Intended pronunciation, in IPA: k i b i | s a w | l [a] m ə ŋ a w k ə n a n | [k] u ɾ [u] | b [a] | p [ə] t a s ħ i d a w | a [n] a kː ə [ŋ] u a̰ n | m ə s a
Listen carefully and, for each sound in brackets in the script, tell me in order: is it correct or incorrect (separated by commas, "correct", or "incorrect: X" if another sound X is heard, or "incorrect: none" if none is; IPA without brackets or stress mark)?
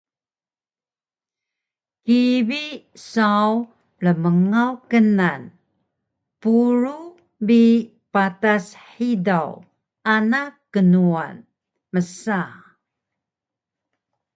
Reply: incorrect: ə, incorrect: p, correct, incorrect: i, incorrect: a, correct, incorrect: n